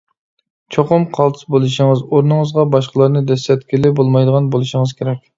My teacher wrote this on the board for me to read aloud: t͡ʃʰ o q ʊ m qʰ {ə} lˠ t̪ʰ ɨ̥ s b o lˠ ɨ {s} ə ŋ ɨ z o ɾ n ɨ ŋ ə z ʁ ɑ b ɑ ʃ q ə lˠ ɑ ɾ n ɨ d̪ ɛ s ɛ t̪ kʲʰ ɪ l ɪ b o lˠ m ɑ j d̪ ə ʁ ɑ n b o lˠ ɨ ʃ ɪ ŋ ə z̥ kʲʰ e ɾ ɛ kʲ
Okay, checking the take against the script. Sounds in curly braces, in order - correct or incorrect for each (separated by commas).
incorrect, incorrect